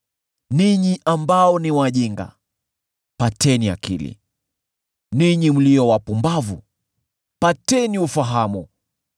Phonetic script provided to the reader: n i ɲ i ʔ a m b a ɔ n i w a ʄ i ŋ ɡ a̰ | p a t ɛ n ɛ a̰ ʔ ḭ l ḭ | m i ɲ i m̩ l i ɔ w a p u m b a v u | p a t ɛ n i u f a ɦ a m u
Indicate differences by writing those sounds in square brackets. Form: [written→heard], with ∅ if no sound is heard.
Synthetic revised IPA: n i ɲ i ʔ a m b a ɔ n i w a ʄ i ŋ ɡ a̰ | p a t ɛ n [ɛ→i] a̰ [ʔ→k] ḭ l ḭ | [m→n] i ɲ i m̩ l i ɔ w a p u m b a v u | p a t ɛ n i u f a ɦ a m u